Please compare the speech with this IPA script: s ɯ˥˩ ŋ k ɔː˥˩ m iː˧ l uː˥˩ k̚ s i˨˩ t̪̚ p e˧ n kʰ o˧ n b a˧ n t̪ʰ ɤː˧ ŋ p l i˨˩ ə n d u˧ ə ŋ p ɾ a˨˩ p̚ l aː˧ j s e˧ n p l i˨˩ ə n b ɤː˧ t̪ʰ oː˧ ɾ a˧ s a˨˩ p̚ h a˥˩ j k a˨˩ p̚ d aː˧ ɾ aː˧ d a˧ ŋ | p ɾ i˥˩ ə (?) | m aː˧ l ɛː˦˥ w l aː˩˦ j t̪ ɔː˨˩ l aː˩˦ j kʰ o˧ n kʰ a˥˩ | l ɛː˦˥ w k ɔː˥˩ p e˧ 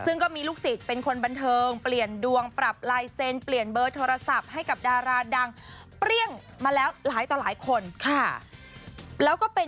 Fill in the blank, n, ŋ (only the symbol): ŋ